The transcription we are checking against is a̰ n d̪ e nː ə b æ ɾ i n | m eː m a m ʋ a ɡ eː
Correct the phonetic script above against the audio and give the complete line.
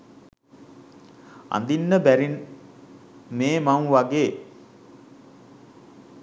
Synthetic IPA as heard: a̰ n d̪ i nː ə b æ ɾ i n | m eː m a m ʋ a ɡ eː